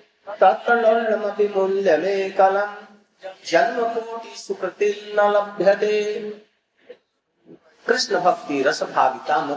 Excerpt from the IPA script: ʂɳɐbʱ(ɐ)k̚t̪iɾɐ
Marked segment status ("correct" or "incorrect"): correct